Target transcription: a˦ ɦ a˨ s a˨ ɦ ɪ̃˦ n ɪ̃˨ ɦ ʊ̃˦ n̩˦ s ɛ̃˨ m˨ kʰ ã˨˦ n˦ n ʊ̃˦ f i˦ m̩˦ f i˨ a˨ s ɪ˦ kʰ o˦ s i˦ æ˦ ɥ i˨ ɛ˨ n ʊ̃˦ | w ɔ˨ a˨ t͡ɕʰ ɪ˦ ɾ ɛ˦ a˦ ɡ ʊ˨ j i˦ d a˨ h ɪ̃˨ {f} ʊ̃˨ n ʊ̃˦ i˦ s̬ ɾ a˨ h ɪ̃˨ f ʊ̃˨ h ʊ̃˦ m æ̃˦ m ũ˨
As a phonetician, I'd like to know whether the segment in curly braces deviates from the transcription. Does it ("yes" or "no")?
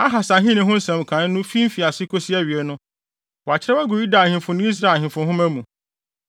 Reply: no